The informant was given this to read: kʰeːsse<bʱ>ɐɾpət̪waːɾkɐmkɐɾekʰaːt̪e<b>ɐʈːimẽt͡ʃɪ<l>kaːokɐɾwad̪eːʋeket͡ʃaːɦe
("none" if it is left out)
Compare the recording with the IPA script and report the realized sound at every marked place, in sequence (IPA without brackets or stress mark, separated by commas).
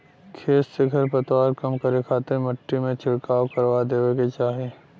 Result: ɡʱ, m, ɽ